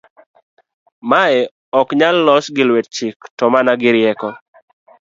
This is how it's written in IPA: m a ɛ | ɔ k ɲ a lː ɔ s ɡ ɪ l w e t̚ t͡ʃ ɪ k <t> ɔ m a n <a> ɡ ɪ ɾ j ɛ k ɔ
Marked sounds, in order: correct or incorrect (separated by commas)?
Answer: correct, correct